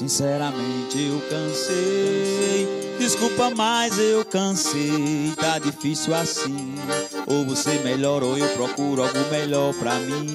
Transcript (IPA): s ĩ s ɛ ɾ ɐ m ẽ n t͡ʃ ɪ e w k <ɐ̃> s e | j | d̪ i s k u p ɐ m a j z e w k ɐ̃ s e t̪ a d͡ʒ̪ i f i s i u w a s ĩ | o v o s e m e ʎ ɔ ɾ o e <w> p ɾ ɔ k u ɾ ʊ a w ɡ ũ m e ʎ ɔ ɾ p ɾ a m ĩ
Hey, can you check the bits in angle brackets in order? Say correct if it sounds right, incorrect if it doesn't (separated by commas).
correct, correct